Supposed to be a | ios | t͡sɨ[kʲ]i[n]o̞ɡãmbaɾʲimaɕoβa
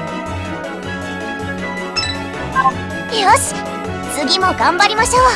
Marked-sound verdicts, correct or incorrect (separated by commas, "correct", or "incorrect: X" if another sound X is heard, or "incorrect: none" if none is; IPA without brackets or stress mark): incorrect: ɡʲ, incorrect: m